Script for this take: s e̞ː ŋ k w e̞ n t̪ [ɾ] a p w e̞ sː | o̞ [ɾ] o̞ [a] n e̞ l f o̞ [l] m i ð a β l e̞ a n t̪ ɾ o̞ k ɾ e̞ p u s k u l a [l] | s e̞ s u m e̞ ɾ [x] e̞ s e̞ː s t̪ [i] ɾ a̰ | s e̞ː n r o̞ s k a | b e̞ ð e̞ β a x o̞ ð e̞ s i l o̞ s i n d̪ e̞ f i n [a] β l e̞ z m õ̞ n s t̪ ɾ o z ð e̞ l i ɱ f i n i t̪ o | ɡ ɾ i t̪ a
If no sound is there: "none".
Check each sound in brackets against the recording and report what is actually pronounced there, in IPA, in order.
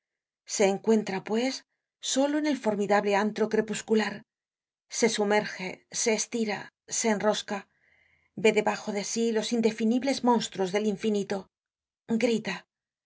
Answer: ɾ, l, e, ɾ, ɾ, x, i, i

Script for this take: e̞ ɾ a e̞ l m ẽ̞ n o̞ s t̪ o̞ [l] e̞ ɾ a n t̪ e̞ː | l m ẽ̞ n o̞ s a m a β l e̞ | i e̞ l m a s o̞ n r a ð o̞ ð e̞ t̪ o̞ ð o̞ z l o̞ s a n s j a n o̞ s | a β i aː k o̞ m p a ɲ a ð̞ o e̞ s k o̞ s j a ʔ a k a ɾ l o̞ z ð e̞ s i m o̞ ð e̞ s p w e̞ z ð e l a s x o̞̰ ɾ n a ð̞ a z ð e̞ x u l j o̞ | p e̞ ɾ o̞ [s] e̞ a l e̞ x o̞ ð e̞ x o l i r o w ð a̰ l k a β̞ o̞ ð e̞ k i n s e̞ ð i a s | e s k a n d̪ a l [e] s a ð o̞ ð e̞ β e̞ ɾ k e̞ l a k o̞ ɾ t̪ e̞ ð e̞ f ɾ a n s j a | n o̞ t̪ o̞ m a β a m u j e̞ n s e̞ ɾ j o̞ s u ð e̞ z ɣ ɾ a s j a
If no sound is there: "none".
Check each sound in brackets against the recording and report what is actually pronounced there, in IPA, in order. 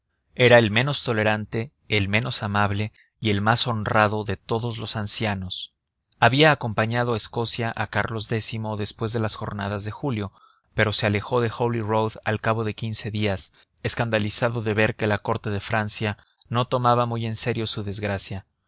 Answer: l, s, i

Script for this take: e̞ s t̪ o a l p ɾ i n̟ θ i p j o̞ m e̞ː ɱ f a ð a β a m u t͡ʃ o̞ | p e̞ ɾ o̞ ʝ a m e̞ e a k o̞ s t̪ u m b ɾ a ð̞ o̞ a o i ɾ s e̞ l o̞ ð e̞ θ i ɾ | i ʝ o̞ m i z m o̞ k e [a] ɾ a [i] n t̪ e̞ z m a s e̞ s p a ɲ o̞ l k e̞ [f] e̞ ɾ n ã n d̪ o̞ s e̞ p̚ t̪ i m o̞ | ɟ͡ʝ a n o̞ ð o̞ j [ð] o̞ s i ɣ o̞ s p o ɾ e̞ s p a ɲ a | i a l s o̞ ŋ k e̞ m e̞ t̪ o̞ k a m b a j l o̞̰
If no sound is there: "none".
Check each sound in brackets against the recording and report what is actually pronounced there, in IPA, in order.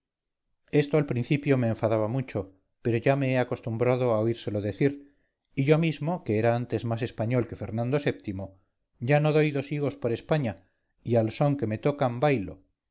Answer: e, a, f, ð

